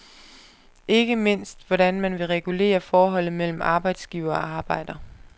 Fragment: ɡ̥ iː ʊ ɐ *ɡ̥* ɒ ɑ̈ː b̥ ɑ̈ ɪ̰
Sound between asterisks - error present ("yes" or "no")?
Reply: yes